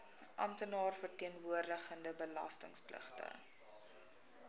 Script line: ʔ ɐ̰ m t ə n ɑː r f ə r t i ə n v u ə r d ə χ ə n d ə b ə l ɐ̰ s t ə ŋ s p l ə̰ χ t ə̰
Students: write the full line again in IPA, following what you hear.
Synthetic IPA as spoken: ʔ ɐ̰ m t ə n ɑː r f ə r t i ə n v u ə r d ə χ ə n d ə b ə l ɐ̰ s t ə ŋ s p l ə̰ χ t ə̰